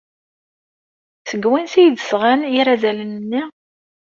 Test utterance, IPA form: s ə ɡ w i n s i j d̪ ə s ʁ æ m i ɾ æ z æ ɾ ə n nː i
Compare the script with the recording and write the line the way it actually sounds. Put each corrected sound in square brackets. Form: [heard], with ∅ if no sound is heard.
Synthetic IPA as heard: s ə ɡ w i n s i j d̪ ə s ʁ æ [n] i ɾ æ z æ [l] ə n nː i